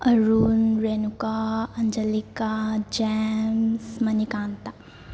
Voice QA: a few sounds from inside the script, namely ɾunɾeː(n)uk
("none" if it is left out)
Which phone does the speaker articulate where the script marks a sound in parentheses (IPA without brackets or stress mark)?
n